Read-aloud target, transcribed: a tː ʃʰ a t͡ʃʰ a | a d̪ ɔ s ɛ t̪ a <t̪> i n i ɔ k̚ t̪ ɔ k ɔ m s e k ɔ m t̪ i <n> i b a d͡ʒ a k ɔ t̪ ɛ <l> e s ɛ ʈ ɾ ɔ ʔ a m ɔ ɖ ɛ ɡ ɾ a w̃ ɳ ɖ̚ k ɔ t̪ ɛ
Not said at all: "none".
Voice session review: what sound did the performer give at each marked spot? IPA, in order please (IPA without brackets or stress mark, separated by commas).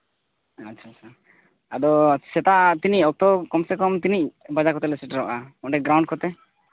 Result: t̪, n, l